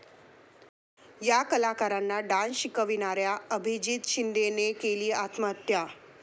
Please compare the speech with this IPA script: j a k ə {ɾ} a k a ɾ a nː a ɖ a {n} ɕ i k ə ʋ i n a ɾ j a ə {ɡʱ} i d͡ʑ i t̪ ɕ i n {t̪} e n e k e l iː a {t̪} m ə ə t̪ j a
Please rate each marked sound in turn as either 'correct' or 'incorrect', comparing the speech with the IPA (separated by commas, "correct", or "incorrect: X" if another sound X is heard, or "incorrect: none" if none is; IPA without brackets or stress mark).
incorrect: l, correct, incorrect: bʱ, incorrect: d̪, correct